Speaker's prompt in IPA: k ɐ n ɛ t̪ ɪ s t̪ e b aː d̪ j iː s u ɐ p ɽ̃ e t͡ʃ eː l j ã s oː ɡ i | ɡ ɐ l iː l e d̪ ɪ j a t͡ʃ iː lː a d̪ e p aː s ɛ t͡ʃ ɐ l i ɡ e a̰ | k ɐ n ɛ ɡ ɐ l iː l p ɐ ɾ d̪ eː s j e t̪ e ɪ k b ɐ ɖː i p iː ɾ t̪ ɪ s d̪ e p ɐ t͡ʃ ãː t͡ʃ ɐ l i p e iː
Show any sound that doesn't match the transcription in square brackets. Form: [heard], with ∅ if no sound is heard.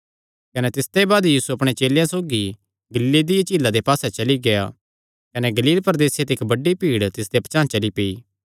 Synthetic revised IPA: k ɐ n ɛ t̪ ɪ s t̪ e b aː d̪ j iː s u ɐ p ɽ̃ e t͡ʃ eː l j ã s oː ɡ i | ɡ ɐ l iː l e d̪ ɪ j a t͡ʃ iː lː a d̪ e p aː s ɛ t͡ʃ ɐ l i ɡ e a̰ | k ɐ n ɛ ɡ ɐ l iː l p ɐ ɾ d̪ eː s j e t̪ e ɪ k b ɐ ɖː i p iː [ɽ] t̪ ɪ s d̪ e p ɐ t͡ʃ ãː t͡ʃ ɐ l i p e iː